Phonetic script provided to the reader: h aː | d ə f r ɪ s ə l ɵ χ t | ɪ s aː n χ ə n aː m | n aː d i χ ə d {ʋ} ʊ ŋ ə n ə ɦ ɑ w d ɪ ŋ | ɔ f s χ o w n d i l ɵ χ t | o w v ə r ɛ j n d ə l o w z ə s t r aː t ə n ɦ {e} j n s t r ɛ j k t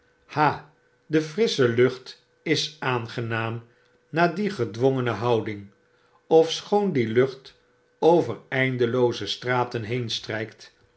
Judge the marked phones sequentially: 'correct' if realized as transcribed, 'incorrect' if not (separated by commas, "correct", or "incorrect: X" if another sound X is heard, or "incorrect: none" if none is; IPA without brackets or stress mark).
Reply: correct, correct